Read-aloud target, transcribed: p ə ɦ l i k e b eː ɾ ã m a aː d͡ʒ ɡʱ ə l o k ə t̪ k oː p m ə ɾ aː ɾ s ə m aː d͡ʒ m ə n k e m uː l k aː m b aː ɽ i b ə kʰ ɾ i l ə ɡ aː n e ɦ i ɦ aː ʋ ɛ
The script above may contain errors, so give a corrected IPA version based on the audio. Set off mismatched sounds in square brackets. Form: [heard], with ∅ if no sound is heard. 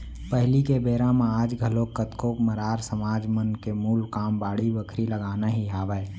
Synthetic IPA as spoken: p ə ɦ l i k e b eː ɾ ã m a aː d͡ʒ ɡʱ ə l o k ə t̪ k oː p m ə ɾ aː ɾ s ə m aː d͡ʒ m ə n k e m uː l k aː m b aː ɽ i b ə kʰ ɾ i l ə ɡ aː n [a] ɦ i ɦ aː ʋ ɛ